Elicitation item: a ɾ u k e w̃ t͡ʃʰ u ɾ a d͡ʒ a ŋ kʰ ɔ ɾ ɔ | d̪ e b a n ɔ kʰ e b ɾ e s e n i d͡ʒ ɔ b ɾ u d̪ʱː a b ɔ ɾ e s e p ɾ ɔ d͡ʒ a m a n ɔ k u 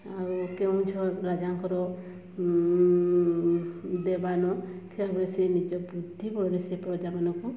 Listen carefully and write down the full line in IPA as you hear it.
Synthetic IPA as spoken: a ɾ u k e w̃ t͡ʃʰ ɔ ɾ a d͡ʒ a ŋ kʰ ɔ ɾ ɔ | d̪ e b a n ɔ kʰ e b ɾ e s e n i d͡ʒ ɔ b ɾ u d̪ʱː i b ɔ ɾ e s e p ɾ ɔ d͡ʒ a m a n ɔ k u

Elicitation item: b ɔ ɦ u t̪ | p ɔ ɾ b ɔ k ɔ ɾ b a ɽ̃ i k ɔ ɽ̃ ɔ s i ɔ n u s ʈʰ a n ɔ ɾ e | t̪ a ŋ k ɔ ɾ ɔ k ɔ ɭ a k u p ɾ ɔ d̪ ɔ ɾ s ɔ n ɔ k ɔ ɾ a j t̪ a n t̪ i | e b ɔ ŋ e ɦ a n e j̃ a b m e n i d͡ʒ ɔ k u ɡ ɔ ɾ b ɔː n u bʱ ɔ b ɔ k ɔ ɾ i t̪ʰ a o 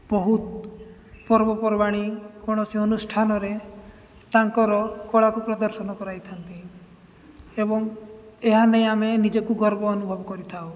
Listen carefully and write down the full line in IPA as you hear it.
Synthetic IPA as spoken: b ɔ ɦ u t̪ | p ɔ ɾ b ɔ p ɔ ɾ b a ɽ̃ i k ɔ ɽ̃ ɔ s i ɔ n u s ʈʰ a n ɔ ɾ e | t̪ a ŋ k ɔ ɾ ɔ k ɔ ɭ a k u p ɾ ɔ d̪ ɔ ɾ s ɔ n ɔ k ɔ ɾ a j t̪ʰ a n t̪ i | e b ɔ ŋ e ɦ a n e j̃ a m e n i d͡ʒ ɔ k u ɡ ɔ ɾ b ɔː n u bʱ ɔ b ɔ k ɔ ɾ i t̪ʰ a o

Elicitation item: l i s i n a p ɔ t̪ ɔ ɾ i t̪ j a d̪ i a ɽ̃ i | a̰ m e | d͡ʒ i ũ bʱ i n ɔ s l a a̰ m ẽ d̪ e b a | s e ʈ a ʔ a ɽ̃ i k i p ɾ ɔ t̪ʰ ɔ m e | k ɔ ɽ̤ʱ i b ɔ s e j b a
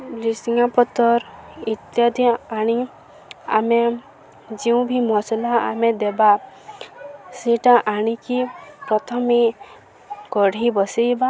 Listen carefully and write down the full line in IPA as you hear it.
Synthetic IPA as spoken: l i s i ŋ a p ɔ t̪ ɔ ɾ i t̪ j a d̪ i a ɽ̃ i | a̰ m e | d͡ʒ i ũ bʱ i m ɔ s l a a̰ m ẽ d̪ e b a | s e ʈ a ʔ a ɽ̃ i k i p ɾ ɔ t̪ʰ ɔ m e | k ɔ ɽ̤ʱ i b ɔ s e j b a

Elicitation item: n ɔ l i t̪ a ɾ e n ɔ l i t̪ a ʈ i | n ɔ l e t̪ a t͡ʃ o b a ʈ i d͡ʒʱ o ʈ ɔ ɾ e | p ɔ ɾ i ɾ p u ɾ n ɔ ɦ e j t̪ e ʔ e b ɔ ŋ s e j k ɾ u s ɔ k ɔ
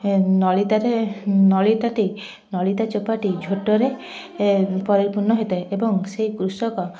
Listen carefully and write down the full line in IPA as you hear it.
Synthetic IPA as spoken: n ɔ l i t̪ a ɾ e n ɔ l i t̪ a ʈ i | n ɔ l i t̪ a t͡ʃ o p a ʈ i d͡ʒʱ o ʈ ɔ ɾ e | p ɔ ɾ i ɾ p u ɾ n ɔ ɦ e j t̪ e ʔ e b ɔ ŋ s e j k ɾ u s ɔ k ɔ

